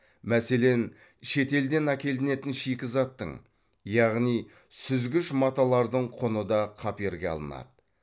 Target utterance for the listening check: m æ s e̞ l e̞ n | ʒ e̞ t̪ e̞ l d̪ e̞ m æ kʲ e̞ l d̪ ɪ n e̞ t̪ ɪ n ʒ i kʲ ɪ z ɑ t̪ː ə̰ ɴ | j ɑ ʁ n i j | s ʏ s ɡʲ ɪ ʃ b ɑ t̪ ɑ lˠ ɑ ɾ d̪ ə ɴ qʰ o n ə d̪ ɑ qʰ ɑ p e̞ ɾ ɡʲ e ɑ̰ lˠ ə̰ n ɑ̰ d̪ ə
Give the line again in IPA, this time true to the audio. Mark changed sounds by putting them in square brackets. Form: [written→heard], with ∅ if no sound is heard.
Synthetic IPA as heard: m æ s e̞ l e̞ n | [ʒ→ʃ] e̞ t̪ e̞ l d̪ e̞ [m→n] æ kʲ e̞ l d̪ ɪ n e̞ t̪ ɪ n [ʒ→ʃ] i kʲ ɪ z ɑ t̪ː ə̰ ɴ | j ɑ ʁ n i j | s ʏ [s→z] ɡʲ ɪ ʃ [b→m] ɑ t̪ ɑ lˠ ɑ ɾ d̪ ə ɴ qʰ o n ə d̪ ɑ qʰ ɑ p e̞ ɾ ɡʲ e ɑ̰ lˠ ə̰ n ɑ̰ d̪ ə